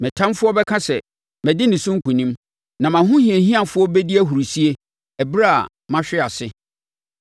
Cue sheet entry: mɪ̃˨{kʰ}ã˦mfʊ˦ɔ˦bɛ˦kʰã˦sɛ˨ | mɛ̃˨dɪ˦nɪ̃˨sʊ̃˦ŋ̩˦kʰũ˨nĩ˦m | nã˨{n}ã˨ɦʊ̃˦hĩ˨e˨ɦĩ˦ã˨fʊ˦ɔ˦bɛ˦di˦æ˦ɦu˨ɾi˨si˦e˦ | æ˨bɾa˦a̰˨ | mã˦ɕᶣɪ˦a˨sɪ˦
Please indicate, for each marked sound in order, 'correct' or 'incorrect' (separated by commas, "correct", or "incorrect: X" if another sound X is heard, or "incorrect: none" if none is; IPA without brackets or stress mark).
incorrect: tʰ, incorrect: m